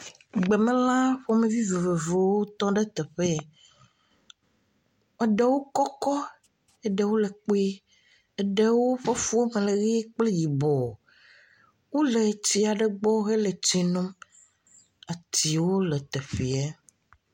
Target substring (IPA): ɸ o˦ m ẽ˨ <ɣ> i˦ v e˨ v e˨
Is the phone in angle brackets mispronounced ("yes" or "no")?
yes